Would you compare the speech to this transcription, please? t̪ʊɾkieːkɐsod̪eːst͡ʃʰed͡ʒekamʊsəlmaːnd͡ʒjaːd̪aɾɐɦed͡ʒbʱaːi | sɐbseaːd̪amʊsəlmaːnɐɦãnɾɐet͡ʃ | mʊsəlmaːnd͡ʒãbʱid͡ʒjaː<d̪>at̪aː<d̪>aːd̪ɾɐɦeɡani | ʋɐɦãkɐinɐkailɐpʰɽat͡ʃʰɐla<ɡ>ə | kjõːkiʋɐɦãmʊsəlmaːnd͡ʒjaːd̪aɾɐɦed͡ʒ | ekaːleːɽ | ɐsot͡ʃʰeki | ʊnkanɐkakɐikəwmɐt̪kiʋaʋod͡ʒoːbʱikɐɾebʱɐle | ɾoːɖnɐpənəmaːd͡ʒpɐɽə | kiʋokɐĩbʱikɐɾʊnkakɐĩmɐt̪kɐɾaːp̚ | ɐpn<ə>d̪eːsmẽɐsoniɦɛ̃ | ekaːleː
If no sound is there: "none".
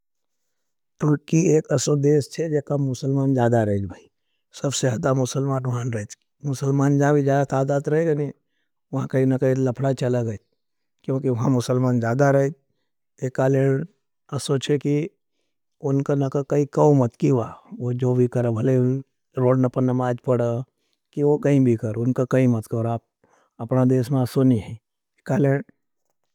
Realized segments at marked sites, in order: d̪, d̪, ɡ, a

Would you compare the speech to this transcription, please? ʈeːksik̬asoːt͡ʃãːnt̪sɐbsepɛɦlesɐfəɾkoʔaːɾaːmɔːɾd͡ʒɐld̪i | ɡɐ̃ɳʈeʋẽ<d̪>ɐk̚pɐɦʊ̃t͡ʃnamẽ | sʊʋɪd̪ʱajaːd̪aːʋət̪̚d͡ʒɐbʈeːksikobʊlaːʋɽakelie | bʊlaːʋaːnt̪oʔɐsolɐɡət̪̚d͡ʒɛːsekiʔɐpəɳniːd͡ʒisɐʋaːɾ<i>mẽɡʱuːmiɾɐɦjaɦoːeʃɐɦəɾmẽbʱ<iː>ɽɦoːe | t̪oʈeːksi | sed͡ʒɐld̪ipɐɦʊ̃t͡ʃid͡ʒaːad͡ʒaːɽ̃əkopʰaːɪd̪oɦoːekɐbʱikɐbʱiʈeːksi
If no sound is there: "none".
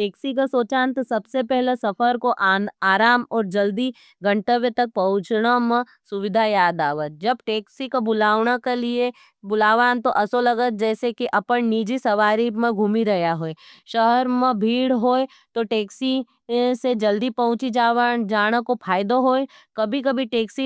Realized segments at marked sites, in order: t̪, i, iː

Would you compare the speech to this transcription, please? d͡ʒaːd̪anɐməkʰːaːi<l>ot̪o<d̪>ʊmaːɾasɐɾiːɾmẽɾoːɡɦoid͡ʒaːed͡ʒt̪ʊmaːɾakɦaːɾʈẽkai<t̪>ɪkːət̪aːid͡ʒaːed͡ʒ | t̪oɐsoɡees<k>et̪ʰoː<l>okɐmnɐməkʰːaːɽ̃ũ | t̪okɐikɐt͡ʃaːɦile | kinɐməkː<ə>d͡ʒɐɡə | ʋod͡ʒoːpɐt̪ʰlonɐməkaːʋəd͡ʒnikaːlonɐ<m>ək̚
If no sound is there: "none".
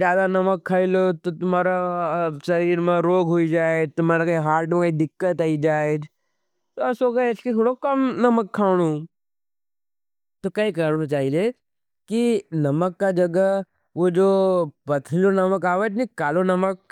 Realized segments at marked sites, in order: l, t̪, d̪, k, ɽ, a, m

